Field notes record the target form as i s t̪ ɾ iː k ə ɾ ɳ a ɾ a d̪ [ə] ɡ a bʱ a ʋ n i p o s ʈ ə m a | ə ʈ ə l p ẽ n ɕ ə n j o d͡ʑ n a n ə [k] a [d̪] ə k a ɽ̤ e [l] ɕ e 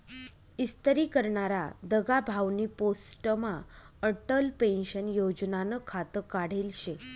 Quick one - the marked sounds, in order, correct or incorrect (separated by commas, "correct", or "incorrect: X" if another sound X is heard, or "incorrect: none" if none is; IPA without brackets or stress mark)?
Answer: correct, incorrect: kʰ, incorrect: t̪, correct